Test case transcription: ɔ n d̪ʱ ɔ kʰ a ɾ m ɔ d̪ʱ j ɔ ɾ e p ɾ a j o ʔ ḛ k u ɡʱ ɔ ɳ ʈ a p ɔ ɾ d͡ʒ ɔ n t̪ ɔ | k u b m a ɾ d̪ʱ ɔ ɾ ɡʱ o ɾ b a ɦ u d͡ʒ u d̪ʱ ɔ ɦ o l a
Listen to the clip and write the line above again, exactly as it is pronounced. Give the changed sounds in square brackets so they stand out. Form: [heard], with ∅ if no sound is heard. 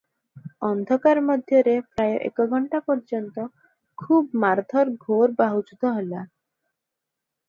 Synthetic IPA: ɔ n d̪ʱ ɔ [k] a ɾ m ɔ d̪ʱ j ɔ ɾ e p ɾ a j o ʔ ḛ k [ɔ] ɡʱ ɔ ɳ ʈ a p ɔ ɾ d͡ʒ ɔ n t̪ ɔ | [kʰ] u b m a ɾ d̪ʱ ɔ ɾ ɡʱ o ɾ b a ɦ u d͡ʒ u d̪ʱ ɔ ɦ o l a